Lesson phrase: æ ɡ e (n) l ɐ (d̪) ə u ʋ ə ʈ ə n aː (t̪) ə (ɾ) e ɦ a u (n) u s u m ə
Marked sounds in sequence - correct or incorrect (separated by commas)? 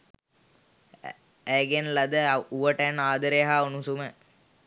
correct, correct, incorrect, correct, correct